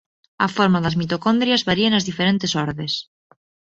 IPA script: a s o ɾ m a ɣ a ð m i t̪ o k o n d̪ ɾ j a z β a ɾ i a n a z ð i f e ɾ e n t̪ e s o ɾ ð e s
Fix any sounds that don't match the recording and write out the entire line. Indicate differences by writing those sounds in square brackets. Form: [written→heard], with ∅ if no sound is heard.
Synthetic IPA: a [s→f] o ɾ m a [ɣ→ð] a [ð→z] m i t̪ o k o n d̪ ɾ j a z β a ɾ i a n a z ð i f e ɾ e n t̪ e s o ɾ ð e s